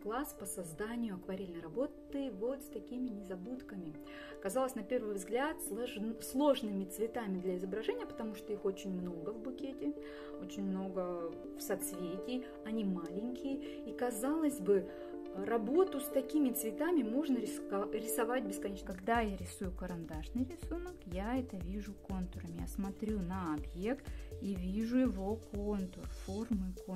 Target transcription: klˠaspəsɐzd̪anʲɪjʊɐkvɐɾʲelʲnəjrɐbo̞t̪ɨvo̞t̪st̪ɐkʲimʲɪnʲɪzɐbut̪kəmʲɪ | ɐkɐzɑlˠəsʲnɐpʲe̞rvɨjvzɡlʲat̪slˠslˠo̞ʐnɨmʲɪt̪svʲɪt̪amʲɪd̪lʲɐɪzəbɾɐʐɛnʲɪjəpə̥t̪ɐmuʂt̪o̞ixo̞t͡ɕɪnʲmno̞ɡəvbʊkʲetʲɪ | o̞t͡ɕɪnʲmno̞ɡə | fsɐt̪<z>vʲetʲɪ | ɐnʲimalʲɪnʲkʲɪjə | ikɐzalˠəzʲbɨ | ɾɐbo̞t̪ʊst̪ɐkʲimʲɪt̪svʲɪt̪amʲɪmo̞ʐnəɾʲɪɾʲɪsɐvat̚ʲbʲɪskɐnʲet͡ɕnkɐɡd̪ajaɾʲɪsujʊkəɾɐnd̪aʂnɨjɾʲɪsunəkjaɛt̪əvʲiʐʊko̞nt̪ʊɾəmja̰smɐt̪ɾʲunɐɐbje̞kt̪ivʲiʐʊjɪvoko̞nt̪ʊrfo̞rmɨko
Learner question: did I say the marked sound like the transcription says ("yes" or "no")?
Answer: no